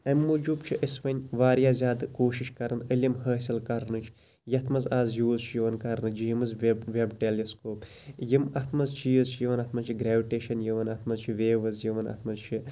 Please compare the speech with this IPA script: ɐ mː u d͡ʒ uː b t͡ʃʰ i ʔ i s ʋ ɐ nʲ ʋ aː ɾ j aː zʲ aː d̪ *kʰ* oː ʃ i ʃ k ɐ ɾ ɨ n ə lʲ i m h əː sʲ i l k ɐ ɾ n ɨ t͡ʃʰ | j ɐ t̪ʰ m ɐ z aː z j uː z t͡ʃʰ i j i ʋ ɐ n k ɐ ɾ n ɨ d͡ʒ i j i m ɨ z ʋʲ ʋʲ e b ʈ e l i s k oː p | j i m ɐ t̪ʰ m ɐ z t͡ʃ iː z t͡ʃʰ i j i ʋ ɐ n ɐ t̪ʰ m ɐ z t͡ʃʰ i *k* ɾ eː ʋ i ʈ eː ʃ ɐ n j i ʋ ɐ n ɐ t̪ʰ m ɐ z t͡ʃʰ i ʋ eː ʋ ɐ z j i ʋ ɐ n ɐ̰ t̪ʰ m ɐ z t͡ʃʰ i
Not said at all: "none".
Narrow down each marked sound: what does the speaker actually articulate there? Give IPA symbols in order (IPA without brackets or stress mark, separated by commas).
k, ɡ